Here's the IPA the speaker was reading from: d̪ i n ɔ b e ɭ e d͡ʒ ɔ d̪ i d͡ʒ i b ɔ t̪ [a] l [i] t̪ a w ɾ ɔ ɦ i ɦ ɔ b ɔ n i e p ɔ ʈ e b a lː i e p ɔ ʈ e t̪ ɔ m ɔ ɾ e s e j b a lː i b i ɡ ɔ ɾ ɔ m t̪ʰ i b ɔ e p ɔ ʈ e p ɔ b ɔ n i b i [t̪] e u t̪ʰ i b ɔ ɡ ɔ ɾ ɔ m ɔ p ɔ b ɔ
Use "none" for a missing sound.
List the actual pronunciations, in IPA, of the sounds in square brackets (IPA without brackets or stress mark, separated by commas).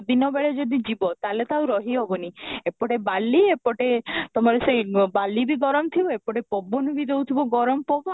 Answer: a, e, d̪